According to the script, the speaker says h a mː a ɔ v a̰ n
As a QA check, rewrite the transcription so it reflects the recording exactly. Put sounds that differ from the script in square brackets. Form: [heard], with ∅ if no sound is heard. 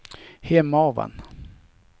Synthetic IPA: h [ɛ] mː a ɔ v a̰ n

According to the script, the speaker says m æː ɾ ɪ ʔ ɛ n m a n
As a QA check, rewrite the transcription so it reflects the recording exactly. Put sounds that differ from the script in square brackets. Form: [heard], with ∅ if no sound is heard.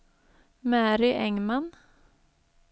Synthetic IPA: m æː ɾ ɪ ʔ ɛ [ŋ] m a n

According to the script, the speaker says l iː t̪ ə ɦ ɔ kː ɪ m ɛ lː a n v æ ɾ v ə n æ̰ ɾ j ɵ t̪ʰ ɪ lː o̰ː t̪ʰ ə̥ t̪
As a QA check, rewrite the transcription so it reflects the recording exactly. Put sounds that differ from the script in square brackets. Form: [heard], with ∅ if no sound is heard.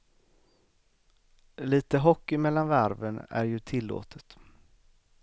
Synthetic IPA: l iː t̪ ə ɦ ɔ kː ɪ m ɛ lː a n v æ ɾ v ə n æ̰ ɾ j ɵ t̪ʰ ɪ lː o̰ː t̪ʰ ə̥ t̪

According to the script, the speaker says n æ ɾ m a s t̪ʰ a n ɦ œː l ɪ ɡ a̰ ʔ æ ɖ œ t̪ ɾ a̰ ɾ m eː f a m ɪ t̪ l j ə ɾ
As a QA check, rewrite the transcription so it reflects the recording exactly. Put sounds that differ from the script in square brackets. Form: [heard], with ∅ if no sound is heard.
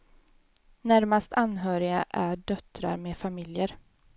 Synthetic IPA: n æ ɾ m a s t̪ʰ a n ɦ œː [ɾ] ɪ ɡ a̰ ʔ æ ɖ œ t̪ ɾ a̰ ɾ m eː f a m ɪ [∅] l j ə ɾ

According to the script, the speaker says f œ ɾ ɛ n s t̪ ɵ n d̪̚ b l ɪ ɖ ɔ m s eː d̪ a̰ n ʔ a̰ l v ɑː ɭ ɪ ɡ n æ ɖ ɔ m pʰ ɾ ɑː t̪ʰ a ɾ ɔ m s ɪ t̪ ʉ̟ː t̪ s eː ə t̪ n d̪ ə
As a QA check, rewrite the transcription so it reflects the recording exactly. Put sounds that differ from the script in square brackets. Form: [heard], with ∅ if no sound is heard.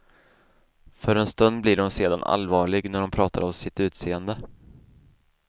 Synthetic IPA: f œ ɾ ɛ n s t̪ ɵ n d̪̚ b l ɪ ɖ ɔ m s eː d̪ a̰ n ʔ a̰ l v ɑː ɭ ɪ ɡ n æ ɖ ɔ m pʰ ɾ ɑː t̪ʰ a ɾ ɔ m s ɪ t̪ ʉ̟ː t̪ s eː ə [∅] n d̪ ə

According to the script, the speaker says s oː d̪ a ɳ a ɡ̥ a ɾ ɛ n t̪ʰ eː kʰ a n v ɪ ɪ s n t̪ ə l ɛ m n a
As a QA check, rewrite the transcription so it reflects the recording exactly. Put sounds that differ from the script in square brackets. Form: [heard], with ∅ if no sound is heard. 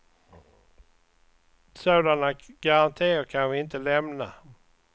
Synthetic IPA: s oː d̪ a [n] a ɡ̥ a ɾ [a] n t̪ʰ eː kʰ a n v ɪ ɪ [∅] n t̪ ə l ɛ m n a

